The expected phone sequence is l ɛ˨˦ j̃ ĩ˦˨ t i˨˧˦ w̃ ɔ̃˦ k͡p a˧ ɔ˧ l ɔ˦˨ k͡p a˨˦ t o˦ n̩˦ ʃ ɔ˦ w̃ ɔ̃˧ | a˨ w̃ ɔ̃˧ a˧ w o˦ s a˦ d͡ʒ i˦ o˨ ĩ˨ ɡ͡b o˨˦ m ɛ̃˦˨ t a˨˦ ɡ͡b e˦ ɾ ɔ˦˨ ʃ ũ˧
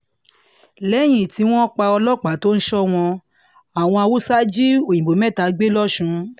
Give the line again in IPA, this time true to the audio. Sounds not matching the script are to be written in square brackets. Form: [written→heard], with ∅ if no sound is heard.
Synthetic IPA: l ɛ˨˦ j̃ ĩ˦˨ t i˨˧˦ w̃ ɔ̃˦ k͡p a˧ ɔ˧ l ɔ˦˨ k͡p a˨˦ t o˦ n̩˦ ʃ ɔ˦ w̃ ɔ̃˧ | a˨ w̃ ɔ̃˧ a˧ w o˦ s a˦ d͡ʒ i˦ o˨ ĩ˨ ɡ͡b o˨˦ m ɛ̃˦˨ t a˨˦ ɡ͡b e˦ [ɾ→l] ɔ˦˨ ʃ ũ˧